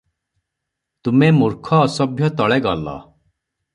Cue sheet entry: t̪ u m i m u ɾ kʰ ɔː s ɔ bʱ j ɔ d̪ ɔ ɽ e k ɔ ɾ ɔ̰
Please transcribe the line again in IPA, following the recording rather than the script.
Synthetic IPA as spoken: t̪ u m e m u ɾ kʰ ɔː s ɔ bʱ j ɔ t̪ ɔ ɭ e ɡ ɔ l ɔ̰